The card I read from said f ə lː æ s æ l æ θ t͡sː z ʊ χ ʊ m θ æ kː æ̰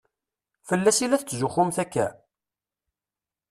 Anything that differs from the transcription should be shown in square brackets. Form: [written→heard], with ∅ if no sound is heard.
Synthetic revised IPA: f ə lː æ s [æ→i] l æ θ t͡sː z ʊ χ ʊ m θ æ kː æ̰